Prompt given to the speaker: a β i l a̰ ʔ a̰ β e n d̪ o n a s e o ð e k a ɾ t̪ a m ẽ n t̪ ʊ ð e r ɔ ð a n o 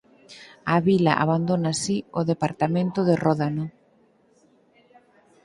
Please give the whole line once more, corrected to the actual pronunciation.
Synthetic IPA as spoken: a β i l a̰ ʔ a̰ β a n d̪ o n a s i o ð e p a ɾ t̪ a m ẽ n t̪ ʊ ð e r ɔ ð a n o